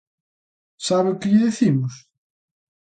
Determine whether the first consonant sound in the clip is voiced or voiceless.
voiceless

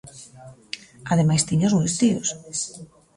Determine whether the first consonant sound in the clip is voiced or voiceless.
voiced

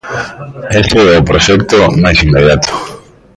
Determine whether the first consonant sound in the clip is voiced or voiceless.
voiceless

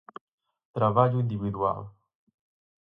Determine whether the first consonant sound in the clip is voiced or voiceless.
voiceless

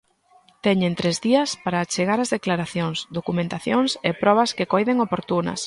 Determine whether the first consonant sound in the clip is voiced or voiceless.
voiceless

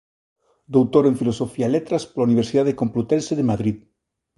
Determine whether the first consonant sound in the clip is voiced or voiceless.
voiced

